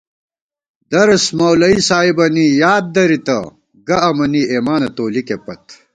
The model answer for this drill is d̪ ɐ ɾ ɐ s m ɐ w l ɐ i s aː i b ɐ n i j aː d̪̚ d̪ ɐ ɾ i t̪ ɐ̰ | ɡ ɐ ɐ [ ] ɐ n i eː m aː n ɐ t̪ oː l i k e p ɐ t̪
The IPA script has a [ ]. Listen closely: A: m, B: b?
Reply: A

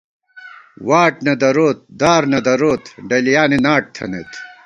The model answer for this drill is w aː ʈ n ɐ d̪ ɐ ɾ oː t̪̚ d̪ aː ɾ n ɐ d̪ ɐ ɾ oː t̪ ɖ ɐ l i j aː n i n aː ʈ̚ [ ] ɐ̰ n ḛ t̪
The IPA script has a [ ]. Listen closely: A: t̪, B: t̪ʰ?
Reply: B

